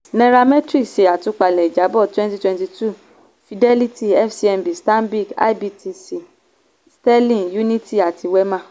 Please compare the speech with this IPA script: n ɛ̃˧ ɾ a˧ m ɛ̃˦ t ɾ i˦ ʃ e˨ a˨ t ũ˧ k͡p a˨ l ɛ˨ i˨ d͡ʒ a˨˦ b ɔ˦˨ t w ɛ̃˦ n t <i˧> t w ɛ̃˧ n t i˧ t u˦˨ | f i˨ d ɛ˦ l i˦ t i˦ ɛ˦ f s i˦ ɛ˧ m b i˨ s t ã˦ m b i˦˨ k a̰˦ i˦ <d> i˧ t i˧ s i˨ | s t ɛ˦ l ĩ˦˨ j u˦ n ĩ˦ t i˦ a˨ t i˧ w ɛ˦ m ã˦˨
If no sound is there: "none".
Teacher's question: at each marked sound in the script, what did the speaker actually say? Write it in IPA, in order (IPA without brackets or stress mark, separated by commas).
i˧, b